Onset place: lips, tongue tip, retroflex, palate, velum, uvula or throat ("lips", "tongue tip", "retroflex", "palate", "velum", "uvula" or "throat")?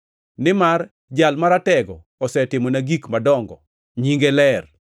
tongue tip